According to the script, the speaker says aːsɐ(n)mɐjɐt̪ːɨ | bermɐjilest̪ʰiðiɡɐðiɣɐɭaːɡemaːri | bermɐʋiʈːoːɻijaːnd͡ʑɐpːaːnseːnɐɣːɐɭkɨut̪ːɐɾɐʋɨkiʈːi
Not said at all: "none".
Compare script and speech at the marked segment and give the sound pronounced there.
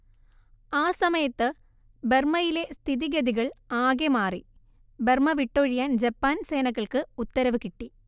none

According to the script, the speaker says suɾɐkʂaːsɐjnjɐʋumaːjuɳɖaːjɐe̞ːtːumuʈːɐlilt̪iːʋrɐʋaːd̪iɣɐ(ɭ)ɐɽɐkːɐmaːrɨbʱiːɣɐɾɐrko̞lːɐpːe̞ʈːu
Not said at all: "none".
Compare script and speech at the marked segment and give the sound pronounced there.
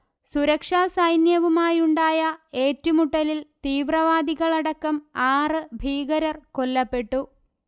ɭ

